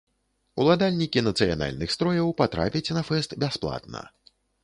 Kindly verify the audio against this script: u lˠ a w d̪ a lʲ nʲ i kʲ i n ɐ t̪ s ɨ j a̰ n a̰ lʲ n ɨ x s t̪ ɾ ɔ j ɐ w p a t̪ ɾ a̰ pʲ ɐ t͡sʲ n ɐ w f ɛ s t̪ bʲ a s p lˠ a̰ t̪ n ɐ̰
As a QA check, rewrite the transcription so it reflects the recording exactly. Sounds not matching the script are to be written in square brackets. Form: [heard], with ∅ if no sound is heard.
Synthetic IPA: u lˠ a [∅] d̪ a lʲ nʲ i kʲ i n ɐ t̪ s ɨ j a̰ n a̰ lʲ n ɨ x s t̪ ɾ ɔ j ɐ w p a t̪ ɾ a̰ pʲ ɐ t͡sʲ n ɐ [∅] f ɛ s t̪ bʲ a s p lˠ a̰ t̪ n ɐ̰